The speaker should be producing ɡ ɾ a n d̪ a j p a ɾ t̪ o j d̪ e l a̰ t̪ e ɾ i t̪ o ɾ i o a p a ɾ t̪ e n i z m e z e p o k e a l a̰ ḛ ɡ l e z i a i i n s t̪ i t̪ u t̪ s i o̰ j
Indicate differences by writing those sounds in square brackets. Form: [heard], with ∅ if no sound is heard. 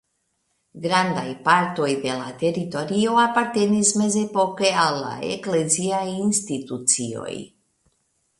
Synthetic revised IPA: ɡ ɾ a n d̪ a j p a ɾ t̪ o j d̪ e l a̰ t̪ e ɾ i t̪ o ɾ i o a p a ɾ t̪ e n i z m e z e p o k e a l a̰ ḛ [k] l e z i a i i n s t̪ i t̪ u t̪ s i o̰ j

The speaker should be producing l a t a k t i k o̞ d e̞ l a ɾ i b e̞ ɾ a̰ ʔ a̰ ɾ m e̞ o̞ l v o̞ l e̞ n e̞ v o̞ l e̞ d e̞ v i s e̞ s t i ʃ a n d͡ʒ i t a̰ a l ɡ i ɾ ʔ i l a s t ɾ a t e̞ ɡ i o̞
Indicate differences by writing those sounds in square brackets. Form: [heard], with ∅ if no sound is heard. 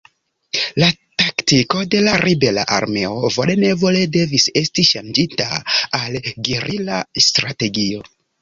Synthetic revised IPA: l a t a k t i k o̞ d e̞ l a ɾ i b e̞ [l] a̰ ʔ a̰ ɾ m e̞ o̞ [∅] v o̞ l e̞ n e̞ v o̞ l e̞ d e̞ v i s e̞ s t i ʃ a n d͡ʒ i t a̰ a l ɡ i ɾ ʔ i l a s t ɾ a t e̞ ɡ i o̞

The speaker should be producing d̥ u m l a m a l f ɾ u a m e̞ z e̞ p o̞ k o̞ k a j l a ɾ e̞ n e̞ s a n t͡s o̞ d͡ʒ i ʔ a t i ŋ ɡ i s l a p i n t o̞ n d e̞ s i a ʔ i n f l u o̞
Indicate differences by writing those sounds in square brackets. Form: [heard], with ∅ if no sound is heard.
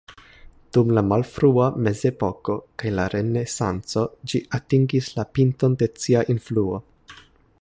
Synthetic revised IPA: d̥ u m l a m a l f ɾ u a m e̞ z e̞ p o̞ k o̞ k a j l a ɾ e̞ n e̞ s a n t͡s o̞ d͡ʒ i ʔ a t i ŋ ɡ i s l a p i n t o̞ n d e̞ [t͡s] i a ʔ i n f l u o̞

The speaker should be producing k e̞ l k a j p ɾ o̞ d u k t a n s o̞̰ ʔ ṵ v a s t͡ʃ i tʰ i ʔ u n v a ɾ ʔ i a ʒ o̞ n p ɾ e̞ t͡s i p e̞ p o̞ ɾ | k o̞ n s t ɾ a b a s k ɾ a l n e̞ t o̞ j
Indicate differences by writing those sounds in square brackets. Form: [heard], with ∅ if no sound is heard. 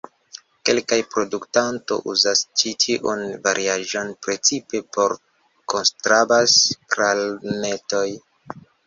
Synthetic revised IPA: k e̞ l k a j p ɾ o̞ d u k t a n [t] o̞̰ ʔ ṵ [z] a s t͡ʃ i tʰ i ʔ u n v a ɾ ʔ i a ʒ o̞ n p ɾ e̞ t͡s i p e̞ p o̞ ɾ | k o̞ n s t ɾ a b a s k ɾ a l n e̞ t o̞ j

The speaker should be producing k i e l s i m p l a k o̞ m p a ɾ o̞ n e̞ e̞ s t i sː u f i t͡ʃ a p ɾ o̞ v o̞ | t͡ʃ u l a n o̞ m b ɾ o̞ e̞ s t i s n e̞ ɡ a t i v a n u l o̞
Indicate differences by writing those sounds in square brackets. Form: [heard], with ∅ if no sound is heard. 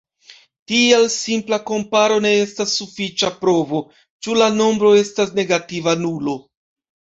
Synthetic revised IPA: [t] i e l s i m p l a k o̞ m p a ɾ o̞ n e̞ e̞ s t [a] sː u f i t͡ʃ a p ɾ o̞ v o̞ | t͡ʃ u l a n o̞ m b ɾ o̞ e̞ s t [a] s n e̞ ɡ a t i v a n u l o̞

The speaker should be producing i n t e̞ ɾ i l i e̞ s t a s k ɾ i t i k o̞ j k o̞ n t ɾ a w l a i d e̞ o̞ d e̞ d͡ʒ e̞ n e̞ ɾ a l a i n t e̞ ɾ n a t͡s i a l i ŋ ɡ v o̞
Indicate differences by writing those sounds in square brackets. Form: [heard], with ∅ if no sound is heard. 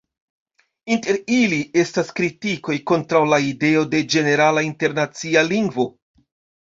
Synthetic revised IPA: i n t e̞ ɾ i l i e̞ s t a s k ɾ i t i k o̞ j k o̞ n t ɾ a w l a i d e̞ o̞ d e̞ d͡ʒ e̞ n e̞ ɾ a l a i n t e̞ ɾ n a t͡s i a l i ŋ ɡ v o̞

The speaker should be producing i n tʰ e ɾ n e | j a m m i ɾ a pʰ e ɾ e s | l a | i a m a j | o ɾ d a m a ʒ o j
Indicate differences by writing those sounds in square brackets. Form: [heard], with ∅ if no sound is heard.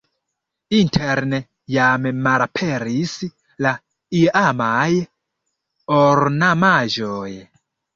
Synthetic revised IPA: i n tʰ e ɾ n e | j a m m [a] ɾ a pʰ e ɾ [i] s | l a | i a m a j | o ɾ [n] a m a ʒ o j

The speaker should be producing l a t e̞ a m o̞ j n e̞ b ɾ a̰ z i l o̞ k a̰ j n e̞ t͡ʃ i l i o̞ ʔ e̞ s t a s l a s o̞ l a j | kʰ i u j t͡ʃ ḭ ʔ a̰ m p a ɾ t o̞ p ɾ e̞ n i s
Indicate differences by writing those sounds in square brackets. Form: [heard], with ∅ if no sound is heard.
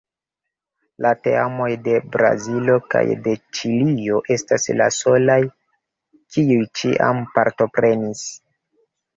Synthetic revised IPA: l a t e̞ a m o̞ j [d] e̞ b ɾ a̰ z i l o̞ k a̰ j [d] e̞ t͡ʃ i l i o̞ ʔ e̞ s t a s l a s o̞ l a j | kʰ i u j t͡ʃ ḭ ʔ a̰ m p a ɾ t o̞ p ɾ e̞ n i s

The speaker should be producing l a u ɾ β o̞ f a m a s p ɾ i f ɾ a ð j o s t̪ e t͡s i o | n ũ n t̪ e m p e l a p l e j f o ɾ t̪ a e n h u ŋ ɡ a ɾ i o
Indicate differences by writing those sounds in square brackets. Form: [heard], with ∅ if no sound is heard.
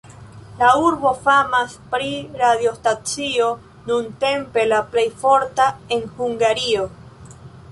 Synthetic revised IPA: l a u ɾ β o̞ f a m a s p ɾ i [∅] ɾ a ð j o s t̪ [a] t͡s i o | n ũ n t̪ e m p e l a p l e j f o ɾ t̪ a e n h u ŋ ɡ a ɾ i o

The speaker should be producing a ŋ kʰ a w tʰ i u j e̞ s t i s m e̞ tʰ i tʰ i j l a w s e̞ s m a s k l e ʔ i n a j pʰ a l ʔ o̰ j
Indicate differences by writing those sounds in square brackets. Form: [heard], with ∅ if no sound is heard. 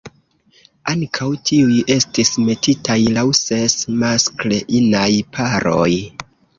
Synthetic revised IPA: a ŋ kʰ a w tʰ i u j e̞ s t i s m e̞ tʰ i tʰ [a] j l a w s e̞ s m a s k l e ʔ i n a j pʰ a [ɾ] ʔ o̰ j

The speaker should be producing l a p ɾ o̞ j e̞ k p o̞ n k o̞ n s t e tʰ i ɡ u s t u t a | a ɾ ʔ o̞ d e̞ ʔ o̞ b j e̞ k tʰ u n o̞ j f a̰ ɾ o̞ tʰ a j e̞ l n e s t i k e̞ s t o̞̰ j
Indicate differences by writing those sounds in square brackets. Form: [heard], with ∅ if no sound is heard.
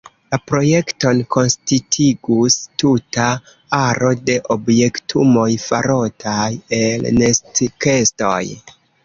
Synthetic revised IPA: l a p ɾ o̞ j e̞ k [t] o̞ n k o̞ n s t [i] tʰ i ɡ u s t u t a | a ɾ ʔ o̞ d e̞ ʔ o̞ b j e̞ k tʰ u [m] o̞ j f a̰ ɾ o̞ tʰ a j e̞ l n e s t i k e̞ s t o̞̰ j

